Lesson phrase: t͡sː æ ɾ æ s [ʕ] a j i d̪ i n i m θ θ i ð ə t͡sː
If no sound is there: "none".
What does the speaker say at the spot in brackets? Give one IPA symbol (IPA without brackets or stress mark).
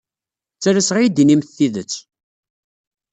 ʁ